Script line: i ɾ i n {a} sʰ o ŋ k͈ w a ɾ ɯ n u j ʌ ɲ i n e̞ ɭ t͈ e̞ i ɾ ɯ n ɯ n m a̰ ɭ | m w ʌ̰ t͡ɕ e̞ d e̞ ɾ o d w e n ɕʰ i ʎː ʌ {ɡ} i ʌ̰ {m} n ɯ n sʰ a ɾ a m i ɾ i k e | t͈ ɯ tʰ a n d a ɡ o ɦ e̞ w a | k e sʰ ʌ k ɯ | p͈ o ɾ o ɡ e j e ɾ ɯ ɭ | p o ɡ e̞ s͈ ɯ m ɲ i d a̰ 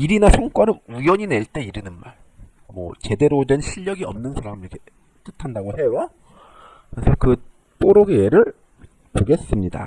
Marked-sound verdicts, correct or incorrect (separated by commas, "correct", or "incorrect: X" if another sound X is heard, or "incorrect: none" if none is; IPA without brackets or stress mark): correct, correct, correct